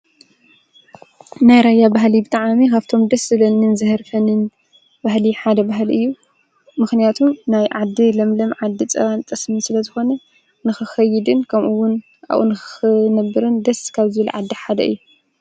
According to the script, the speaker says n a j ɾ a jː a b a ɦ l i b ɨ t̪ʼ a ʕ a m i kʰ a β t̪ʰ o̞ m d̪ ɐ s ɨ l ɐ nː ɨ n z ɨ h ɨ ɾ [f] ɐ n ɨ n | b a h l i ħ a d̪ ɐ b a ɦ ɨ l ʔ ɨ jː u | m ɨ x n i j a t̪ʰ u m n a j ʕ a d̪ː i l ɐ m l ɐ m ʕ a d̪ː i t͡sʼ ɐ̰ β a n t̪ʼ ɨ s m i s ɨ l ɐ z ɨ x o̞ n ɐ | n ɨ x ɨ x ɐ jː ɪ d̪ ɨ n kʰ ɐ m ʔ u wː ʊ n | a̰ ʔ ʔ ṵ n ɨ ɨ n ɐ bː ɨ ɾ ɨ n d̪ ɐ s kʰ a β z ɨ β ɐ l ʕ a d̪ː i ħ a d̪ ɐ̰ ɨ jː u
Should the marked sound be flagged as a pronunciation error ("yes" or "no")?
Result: no